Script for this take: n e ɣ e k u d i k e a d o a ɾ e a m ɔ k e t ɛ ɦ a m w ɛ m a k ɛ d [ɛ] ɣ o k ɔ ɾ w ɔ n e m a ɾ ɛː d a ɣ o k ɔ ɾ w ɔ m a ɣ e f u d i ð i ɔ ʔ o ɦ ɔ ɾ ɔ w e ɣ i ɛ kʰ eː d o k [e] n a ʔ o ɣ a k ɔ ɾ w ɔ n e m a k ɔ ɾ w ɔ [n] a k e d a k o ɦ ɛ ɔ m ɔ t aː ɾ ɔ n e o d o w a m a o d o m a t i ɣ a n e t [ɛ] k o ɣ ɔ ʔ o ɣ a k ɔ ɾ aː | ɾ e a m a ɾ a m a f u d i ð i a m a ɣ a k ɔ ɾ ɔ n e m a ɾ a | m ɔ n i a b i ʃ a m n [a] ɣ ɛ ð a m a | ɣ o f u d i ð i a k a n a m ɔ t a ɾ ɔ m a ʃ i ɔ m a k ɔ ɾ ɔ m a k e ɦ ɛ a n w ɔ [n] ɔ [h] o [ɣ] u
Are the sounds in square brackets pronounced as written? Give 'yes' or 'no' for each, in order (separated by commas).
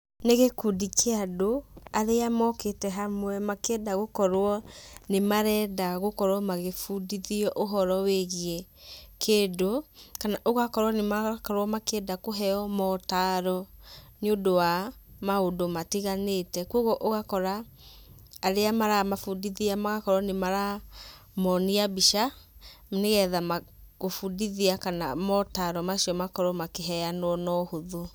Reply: no, no, no, yes, no, yes, yes, no